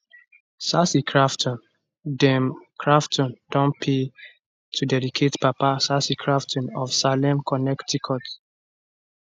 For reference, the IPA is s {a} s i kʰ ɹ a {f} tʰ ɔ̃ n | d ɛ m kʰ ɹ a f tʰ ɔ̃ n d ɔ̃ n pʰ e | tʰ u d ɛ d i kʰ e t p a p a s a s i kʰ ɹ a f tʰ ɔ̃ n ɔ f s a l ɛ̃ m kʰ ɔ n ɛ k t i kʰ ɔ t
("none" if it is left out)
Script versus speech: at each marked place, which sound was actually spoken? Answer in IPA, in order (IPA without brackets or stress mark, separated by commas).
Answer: a, f